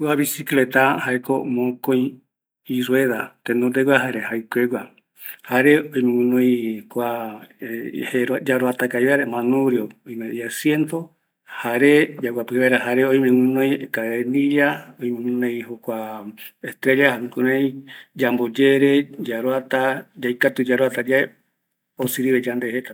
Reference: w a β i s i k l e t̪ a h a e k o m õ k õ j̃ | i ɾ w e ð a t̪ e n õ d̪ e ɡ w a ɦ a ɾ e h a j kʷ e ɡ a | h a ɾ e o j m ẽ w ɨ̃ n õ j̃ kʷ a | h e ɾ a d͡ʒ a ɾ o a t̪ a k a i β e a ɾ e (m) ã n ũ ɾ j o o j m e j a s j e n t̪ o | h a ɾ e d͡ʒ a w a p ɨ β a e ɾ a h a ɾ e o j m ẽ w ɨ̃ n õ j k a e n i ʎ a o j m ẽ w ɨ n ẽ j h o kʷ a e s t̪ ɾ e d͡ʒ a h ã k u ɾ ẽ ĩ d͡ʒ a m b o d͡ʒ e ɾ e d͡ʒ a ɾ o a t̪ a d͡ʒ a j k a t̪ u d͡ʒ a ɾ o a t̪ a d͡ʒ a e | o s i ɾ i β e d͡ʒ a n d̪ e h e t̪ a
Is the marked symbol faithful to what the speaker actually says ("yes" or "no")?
yes